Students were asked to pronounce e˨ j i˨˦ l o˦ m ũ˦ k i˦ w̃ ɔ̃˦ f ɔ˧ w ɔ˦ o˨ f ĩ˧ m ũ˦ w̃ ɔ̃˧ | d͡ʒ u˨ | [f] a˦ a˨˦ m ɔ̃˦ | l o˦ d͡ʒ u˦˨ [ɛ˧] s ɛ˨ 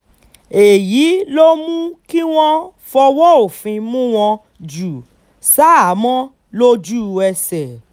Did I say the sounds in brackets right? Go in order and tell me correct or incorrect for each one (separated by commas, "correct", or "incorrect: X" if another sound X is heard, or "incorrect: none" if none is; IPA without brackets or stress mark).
incorrect: s, correct